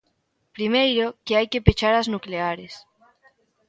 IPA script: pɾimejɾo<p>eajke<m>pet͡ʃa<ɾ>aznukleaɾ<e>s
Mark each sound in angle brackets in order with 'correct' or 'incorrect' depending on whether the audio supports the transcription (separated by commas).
incorrect, incorrect, correct, correct